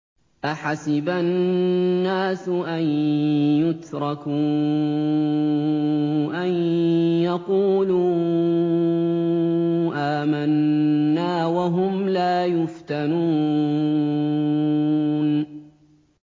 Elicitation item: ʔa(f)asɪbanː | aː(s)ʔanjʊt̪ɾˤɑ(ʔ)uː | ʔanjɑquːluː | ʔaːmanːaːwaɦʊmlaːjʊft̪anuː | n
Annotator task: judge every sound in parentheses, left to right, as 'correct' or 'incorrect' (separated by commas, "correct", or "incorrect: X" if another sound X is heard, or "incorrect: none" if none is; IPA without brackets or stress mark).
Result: incorrect: ħ, correct, incorrect: k